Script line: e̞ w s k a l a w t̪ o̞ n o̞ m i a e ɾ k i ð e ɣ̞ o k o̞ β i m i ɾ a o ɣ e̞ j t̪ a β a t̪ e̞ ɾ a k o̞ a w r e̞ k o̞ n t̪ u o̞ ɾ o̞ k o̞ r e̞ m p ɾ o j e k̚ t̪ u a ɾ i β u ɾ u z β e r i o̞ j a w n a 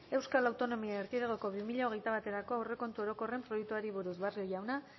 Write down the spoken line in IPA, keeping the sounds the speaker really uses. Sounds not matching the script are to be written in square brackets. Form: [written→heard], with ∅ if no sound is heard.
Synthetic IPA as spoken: e̞ w s k a l a w t̪ o̞ n o̞ m i a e ɾ k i ð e ɣ̞ o k o̞ β i m i [ɾ→ʎ] a o ɣ e̞ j t̪ a β a t̪ e̞ ɾ a k o̞ a w r e̞ k o̞ n t̪ u o̞ ɾ o̞ k o̞ r e̞ m p ɾ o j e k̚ t̪ u a ɾ i β u ɾ u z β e r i o̞ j a w n a